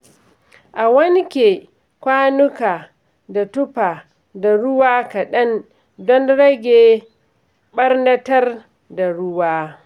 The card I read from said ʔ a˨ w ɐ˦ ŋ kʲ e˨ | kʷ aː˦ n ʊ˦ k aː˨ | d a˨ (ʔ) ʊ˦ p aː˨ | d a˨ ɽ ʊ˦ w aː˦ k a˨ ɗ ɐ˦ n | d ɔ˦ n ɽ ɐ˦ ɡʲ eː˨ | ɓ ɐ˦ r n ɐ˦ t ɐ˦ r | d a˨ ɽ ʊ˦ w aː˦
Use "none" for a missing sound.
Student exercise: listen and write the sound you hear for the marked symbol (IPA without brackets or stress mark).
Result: t